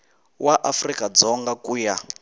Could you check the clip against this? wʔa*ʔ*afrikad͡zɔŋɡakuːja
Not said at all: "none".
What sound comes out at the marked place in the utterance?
ʔ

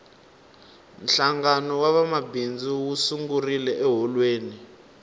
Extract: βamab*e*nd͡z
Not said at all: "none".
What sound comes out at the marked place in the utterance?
i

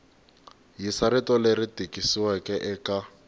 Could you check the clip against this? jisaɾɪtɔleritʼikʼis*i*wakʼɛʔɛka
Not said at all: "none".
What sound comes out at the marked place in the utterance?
i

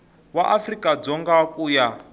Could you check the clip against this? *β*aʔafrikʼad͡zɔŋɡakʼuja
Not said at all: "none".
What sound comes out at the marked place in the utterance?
w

